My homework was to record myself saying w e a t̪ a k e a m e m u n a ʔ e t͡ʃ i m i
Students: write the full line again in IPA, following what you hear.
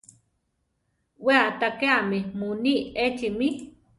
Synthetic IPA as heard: w e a t̪ a k e a m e m u n i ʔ e t͡ʃ i m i